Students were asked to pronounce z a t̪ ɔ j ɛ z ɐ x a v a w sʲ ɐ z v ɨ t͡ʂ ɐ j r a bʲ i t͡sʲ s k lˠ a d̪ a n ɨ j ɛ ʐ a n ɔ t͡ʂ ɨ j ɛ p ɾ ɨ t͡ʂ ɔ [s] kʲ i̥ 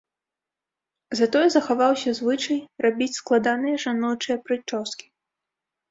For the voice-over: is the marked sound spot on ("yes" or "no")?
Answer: yes